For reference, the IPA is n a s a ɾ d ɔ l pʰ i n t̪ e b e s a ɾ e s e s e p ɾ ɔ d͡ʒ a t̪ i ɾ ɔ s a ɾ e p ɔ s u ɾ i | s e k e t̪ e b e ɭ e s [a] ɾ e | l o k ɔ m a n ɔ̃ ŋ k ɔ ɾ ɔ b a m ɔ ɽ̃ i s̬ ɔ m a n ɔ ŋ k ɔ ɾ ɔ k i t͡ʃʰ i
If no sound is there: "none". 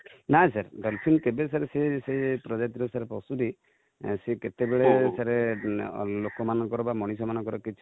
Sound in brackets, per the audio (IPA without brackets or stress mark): a